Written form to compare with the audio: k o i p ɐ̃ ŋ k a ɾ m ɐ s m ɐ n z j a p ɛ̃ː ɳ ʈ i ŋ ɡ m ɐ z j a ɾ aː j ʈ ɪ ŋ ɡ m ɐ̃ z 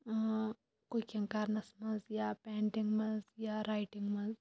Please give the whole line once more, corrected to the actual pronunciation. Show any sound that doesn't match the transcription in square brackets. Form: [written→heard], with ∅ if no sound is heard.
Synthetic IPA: k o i [p→k] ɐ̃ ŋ k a ɾ [m→n] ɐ s m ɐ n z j a p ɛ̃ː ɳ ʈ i ŋ ɡ m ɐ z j a ɾ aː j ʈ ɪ ŋ ɡ m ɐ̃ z